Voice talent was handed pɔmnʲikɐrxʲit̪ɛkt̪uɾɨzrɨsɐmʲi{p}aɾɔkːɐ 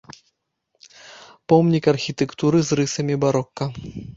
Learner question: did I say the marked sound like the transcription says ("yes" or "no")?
no